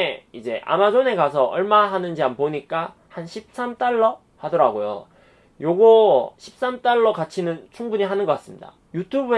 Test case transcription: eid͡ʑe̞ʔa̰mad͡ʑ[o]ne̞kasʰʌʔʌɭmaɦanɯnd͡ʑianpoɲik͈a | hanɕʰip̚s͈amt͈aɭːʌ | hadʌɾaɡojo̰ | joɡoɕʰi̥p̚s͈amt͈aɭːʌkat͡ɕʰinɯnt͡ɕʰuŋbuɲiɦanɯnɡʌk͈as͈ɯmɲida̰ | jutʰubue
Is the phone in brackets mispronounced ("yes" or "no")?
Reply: no